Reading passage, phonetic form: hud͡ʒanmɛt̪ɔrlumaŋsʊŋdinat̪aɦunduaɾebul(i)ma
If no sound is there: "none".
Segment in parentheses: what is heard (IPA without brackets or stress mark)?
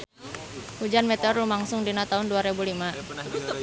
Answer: i